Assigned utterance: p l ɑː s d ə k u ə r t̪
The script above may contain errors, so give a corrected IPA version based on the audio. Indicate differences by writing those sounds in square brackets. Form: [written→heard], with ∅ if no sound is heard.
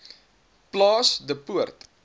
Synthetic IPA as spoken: p l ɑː s d ə [k→p] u ə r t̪